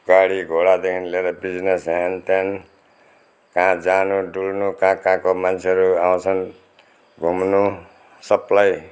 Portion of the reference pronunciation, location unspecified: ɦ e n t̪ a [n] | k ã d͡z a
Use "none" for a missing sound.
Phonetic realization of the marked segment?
n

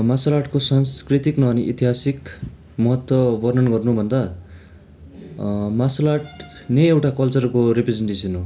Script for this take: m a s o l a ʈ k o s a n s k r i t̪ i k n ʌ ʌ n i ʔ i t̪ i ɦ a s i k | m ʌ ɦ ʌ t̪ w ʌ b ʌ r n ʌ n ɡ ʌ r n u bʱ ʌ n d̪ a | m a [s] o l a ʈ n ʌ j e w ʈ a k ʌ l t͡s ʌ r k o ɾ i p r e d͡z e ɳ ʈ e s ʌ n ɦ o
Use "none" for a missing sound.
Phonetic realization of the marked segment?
s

